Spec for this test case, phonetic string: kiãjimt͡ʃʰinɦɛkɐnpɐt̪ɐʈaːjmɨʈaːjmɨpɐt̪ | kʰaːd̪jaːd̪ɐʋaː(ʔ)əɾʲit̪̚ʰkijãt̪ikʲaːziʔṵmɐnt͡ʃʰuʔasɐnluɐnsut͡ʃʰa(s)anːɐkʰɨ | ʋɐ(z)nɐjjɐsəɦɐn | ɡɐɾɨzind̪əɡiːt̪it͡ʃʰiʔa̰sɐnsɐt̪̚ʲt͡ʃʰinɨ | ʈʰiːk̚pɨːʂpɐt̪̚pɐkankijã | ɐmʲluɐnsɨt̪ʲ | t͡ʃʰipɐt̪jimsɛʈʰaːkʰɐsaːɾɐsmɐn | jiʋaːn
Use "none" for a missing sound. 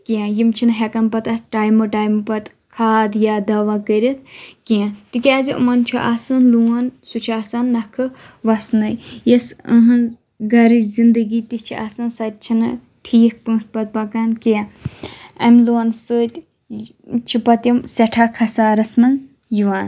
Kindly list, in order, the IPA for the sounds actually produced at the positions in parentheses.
k, s, s

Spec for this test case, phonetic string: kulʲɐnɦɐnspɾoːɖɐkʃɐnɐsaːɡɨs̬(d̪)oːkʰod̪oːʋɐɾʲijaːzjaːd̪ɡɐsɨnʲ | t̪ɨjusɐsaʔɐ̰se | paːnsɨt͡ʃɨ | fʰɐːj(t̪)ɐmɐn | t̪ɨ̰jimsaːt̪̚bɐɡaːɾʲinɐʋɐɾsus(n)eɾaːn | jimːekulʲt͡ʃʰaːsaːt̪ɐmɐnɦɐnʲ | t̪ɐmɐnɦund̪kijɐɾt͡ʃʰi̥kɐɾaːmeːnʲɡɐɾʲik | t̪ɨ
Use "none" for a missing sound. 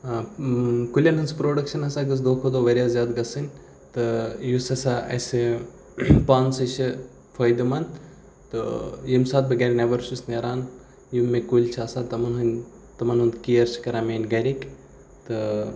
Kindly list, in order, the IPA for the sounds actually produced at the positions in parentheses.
d̪, d̪, n

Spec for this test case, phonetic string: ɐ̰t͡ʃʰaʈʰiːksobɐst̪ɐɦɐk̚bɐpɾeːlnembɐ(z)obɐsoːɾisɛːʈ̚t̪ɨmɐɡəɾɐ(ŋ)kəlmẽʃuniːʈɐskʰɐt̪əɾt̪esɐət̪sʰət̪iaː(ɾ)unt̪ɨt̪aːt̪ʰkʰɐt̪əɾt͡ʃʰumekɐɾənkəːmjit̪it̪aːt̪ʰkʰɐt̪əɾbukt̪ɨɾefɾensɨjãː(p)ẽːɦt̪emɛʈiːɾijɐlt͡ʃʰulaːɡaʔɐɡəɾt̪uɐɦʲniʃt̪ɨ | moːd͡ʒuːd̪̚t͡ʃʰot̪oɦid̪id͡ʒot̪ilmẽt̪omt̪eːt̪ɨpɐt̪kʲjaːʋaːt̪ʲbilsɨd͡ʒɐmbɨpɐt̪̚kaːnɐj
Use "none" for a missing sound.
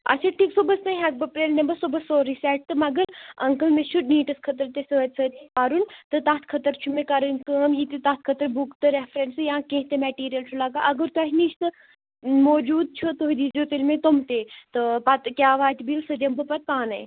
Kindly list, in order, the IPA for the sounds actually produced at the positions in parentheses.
s, ŋ, ɾ, k

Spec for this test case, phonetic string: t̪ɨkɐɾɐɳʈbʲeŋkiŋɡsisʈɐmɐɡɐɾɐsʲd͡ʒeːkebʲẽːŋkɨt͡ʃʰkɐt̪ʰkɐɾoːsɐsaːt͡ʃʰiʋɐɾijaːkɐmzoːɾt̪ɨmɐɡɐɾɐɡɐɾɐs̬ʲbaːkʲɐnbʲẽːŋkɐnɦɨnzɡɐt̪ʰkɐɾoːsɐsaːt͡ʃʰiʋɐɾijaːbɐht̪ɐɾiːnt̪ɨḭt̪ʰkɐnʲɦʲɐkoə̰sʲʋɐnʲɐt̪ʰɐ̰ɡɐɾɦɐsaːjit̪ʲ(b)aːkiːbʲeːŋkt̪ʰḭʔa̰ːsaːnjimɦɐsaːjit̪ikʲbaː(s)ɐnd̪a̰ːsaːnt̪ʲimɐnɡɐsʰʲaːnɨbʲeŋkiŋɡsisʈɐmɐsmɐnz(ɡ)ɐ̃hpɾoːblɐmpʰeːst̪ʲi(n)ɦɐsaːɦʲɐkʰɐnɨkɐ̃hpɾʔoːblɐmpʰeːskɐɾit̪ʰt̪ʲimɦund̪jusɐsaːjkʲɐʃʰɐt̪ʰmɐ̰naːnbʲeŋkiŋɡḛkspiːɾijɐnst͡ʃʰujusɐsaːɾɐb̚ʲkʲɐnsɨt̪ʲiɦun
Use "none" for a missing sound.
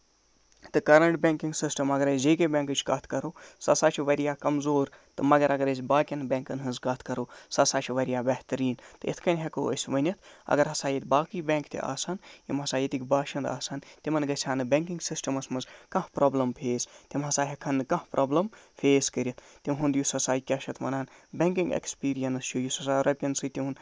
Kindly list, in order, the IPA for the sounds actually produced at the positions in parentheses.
b, ʃ, k, m

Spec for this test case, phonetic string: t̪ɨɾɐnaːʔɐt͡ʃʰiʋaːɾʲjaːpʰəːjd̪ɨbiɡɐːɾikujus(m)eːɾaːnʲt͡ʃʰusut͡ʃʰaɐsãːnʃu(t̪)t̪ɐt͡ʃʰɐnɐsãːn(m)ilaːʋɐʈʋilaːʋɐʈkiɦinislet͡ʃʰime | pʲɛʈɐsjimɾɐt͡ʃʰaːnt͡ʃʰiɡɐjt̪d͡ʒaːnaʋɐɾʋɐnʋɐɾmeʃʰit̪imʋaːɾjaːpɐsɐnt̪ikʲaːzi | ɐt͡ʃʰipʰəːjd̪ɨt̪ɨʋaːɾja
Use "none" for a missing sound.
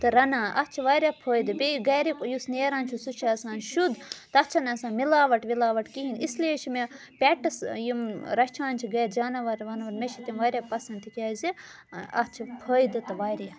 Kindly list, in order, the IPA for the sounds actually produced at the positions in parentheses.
n, d̪, m

